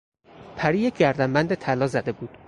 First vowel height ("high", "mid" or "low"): low